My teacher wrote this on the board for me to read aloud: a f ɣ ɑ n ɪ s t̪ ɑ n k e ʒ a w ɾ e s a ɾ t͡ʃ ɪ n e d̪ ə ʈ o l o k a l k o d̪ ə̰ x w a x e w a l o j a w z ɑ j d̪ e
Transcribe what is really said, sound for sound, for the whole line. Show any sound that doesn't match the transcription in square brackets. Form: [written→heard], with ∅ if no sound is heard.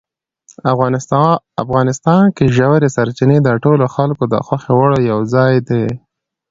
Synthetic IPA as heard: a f ɣ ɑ n ɪ s t̪ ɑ n k e ʒ a w ɾ e s a ɾ t͡ʃ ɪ n e d̪ ə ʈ o l o [k→x] a l k o d̪ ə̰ x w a x e w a [l→ɽ] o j a w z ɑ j d̪ e